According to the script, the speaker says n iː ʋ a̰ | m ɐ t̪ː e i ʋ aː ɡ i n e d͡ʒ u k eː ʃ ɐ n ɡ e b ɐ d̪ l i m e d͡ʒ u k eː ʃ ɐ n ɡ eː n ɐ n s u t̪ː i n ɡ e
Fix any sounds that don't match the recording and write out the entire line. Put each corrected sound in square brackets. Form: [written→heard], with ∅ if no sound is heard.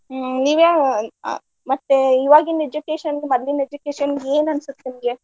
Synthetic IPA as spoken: n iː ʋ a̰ | m ɐ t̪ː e i ʋ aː ɡ i n e d͡ʒ u k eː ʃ ɐ n ɡ e [b→m] ɐ d̪ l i [m→n] e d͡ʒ u k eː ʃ ɐ n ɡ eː n ɐ n s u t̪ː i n ɡ e